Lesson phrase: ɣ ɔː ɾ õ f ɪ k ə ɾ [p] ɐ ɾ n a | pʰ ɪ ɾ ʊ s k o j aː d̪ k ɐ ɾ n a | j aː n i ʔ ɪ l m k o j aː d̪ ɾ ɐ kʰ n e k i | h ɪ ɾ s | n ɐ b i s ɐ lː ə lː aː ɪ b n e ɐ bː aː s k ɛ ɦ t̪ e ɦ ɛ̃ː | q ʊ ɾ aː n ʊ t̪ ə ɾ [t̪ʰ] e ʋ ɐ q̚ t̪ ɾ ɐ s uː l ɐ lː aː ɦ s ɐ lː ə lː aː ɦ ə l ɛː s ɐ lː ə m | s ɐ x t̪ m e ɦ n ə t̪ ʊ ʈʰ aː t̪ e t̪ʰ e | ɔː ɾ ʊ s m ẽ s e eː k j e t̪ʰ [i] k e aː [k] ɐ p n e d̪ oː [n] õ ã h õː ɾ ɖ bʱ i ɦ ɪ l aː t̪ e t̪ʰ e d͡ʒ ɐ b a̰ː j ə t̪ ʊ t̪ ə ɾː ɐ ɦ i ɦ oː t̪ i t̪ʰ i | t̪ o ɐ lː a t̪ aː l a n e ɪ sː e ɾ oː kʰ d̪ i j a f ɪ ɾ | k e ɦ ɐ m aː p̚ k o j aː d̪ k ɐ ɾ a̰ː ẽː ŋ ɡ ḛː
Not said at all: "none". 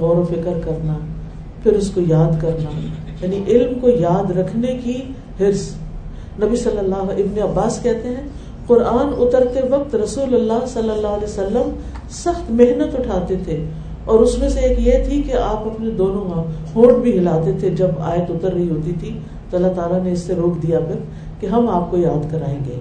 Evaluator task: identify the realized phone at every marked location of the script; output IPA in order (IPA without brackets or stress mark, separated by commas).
k, t̪, i, p, n